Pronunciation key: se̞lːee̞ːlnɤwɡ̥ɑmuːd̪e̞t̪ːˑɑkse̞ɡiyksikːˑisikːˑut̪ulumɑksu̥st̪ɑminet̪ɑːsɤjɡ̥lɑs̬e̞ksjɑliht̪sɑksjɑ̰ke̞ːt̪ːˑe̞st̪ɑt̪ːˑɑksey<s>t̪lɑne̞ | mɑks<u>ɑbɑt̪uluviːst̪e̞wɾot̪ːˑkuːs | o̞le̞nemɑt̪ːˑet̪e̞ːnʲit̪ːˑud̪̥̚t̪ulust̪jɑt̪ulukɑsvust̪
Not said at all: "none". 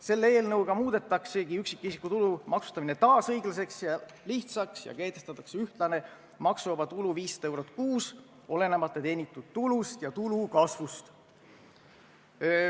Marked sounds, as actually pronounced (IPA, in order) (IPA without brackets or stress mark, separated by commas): h, u